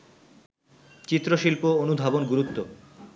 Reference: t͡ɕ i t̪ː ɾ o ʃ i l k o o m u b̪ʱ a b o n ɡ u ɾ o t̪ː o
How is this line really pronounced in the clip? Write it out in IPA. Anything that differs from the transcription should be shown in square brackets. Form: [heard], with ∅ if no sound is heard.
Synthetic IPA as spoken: t͡ɕ i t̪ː ɾ o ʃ i l [p] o o [n] u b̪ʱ a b o n ɡ u ɾ [u] t̪ː o

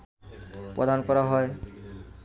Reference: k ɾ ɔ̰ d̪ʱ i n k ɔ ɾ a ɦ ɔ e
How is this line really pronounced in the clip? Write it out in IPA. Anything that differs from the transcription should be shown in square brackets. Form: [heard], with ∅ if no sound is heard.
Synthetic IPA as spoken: [p] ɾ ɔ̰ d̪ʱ [a] n k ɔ ɾ a ɦ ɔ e

